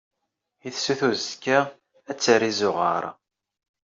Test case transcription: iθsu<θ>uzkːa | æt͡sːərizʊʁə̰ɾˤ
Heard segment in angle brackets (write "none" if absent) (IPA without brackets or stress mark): θ